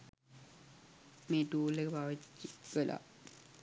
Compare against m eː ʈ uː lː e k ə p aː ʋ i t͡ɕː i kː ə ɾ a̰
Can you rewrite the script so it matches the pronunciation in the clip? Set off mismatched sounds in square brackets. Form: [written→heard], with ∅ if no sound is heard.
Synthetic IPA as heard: m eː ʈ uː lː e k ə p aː ʋ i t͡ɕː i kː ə [ɾ→l] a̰

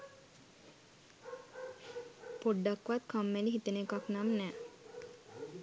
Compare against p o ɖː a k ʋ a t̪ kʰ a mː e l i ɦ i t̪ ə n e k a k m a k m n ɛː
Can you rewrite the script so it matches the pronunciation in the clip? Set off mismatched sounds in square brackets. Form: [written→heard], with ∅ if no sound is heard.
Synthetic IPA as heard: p o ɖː a k ʋ a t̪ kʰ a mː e l i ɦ i t̪ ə n e k a k [m→n] a [k→∅] m n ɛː

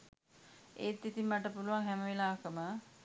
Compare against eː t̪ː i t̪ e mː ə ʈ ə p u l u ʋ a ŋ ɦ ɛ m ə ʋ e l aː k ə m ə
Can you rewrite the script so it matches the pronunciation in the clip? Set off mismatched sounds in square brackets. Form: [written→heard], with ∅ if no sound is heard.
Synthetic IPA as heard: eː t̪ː i t̪ [e→i] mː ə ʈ ə p u l u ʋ a ŋ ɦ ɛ m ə ʋ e l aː k ə m ə

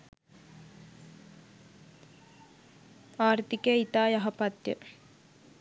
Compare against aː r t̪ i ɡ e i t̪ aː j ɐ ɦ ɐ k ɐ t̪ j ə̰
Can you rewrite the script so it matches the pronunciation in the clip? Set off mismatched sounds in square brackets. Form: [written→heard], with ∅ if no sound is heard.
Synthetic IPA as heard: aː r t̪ i [ɡ→k] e i t̪ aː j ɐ ɦ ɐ [k→p] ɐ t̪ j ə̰

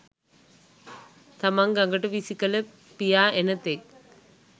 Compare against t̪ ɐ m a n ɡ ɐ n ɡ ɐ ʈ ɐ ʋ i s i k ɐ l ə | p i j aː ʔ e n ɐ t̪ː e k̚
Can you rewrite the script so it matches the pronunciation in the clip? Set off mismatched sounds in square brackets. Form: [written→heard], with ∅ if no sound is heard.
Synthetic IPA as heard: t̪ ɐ m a [n→ŋ] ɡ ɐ [n→ŋ] ɡ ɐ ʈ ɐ ʋ i s i k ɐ l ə | p i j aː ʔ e n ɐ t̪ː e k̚

